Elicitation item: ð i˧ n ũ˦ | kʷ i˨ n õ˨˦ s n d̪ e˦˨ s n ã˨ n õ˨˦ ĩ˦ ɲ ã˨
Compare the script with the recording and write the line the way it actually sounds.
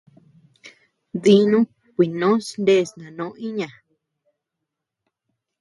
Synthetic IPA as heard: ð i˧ n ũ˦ | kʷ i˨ n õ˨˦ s n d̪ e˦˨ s n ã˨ n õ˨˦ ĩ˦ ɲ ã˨